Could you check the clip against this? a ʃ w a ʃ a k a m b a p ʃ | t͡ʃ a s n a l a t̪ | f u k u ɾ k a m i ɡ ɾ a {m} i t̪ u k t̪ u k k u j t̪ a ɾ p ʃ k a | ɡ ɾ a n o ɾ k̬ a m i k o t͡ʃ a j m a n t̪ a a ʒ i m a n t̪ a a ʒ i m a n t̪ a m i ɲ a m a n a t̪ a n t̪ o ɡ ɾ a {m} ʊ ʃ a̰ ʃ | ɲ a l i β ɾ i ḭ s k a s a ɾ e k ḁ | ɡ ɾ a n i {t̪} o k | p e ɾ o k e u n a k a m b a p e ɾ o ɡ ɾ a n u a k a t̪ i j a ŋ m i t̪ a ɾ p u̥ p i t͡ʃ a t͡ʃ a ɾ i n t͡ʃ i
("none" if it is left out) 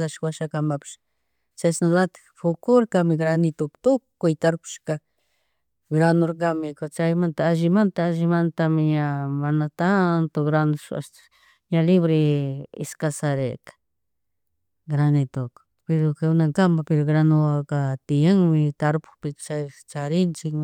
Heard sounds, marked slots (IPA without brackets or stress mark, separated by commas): n, n, t̪